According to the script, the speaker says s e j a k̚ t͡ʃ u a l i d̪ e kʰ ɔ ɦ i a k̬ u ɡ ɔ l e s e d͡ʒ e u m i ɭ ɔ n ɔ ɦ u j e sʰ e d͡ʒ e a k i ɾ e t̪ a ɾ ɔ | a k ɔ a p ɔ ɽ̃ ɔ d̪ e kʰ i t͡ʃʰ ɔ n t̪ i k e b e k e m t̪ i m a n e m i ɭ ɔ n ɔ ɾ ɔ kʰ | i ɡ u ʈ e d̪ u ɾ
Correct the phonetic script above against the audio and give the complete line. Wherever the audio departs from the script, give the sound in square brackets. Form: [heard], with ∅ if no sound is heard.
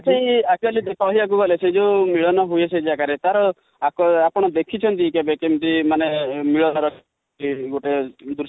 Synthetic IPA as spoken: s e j a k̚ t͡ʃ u a l i d̪ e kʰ ɔ ɦ i a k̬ u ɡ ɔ l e s e d͡ʒ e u m i ɭ ɔ n ɔ ɦ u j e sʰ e d͡ʒ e a k [a] ɾ e t̪ a ɾ ɔ | a k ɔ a p ɔ ɽ̃ ɔ d̪ e kʰ i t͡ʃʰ ɔ n t̪ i k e b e k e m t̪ i m a n e m i ɭ ɔ n ɔ ɾ ɔ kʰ | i ɡ [o] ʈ e d̪ u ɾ